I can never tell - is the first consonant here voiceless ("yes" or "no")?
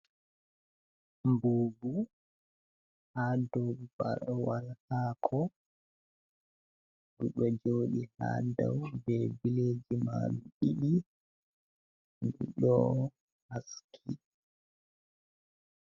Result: no